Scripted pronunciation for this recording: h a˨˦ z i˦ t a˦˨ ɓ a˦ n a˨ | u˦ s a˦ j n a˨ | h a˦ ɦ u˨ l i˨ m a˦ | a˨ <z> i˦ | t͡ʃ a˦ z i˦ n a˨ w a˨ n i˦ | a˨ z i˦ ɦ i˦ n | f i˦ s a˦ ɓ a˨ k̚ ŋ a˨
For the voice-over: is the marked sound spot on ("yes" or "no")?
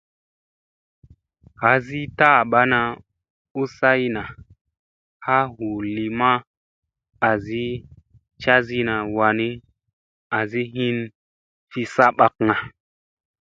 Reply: yes